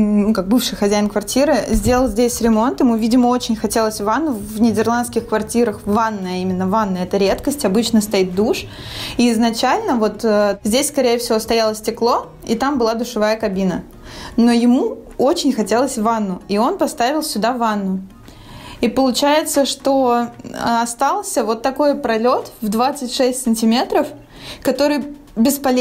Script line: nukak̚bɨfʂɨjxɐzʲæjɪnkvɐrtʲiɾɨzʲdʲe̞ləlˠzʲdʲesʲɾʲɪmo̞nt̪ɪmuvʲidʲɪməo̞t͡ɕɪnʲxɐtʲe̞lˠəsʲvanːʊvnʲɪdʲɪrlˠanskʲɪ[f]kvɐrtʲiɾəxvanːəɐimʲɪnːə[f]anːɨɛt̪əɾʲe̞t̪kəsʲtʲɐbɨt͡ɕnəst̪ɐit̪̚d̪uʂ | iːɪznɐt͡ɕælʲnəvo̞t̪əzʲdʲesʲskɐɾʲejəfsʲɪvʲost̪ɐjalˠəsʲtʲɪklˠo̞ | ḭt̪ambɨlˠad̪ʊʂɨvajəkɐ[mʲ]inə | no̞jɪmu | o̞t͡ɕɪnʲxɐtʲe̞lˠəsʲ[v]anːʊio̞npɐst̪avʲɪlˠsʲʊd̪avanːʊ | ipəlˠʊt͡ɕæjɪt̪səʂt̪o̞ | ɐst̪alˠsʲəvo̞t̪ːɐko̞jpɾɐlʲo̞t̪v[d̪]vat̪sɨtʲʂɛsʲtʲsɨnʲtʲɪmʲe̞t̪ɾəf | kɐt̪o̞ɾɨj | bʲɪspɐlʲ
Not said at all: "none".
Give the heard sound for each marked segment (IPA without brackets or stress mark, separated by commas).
x, v, bʲ, v, d̪